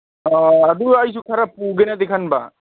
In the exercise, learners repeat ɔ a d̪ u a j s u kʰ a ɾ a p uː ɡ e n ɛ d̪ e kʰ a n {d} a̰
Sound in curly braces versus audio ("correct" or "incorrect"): incorrect